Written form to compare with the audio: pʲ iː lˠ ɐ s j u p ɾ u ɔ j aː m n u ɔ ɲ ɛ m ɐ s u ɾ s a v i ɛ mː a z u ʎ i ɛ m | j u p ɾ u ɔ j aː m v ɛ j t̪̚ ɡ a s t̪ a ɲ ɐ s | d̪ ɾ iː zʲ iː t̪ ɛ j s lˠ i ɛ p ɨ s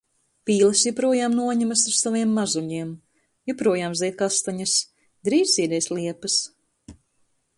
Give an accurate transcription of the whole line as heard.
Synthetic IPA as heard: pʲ iː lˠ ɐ s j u p ɾ u ɔ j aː m n u ɔ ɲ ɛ m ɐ s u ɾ s a v i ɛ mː a z u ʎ i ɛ m | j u p ɾ u ɔ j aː m z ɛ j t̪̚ k a s t̪ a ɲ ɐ s | d̪ ɾ iː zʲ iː d̪ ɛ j s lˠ i ɛ p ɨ s